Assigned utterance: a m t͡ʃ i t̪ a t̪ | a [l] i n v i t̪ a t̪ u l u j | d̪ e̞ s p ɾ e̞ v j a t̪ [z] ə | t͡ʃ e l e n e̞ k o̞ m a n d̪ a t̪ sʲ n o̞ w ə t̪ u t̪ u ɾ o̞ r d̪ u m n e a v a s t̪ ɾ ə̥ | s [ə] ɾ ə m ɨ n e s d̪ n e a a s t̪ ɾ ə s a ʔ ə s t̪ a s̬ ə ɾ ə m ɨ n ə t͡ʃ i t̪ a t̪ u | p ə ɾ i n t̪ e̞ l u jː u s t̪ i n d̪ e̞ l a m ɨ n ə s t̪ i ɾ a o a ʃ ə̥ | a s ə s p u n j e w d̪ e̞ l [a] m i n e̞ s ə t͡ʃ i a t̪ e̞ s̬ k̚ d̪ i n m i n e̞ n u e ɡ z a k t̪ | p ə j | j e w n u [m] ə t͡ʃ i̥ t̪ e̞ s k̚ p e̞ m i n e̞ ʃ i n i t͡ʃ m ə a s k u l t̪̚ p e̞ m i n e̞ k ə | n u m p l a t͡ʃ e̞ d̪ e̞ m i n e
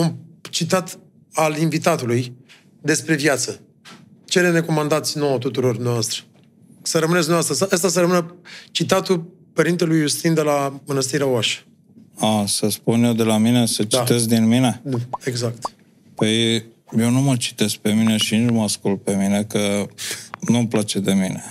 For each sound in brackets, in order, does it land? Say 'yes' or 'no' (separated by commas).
yes, no, yes, yes, yes